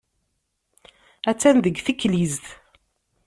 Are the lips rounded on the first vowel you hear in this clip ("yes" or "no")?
no